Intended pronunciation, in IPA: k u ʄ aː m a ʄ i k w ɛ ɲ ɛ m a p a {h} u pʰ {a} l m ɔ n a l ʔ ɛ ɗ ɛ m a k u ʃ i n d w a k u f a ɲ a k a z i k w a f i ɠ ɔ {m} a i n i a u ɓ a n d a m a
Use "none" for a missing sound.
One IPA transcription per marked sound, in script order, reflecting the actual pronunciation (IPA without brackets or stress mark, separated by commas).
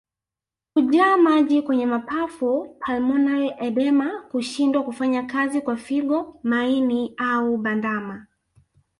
f, a, m